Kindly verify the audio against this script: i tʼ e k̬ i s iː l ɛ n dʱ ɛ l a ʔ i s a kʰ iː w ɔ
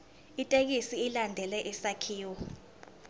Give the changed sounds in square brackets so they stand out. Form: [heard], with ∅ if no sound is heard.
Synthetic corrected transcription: i tʼ e k̬ i s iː l [a] n dʱ ɛ l [ɛ] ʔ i s a kʰ iː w ɔ